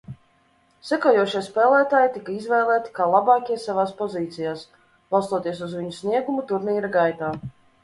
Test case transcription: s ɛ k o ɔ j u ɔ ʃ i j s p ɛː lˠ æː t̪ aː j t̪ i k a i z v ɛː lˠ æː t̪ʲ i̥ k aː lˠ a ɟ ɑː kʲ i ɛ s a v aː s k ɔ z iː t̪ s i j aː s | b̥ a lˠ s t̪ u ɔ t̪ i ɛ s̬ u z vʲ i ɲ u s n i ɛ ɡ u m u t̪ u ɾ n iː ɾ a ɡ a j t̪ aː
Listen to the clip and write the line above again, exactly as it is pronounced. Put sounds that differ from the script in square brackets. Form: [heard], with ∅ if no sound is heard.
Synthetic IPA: s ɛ k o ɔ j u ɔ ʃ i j s p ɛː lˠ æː t̪ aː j t̪ i k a i z v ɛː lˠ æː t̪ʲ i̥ k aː lˠ a [b] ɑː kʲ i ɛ s a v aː s [p] ɔ z iː t̪ s i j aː s | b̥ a lˠ s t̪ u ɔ t̪ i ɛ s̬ u z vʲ i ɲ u s n i ɛ ɡ u m u t̪ u ɾ n iː ɾ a ɡ a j t̪ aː